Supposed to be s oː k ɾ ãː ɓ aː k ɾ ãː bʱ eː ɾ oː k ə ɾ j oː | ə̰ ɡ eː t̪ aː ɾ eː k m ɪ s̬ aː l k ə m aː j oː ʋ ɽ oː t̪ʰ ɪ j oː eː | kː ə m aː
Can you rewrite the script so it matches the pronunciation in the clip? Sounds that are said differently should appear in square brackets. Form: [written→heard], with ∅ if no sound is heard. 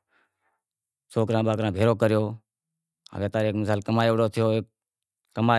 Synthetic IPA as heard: s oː k ɾ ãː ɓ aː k ɾ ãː bʱ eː ɾ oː k ə ɾ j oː | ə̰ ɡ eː t̪ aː ɾ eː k m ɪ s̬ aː l k ə m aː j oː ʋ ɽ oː t̪ʰ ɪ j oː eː | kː ə m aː